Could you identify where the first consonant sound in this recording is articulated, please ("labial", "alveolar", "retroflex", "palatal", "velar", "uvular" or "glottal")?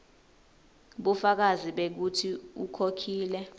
labial